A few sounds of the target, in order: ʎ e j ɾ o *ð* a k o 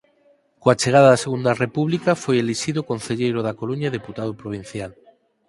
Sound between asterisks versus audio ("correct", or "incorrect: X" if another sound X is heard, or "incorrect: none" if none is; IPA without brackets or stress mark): correct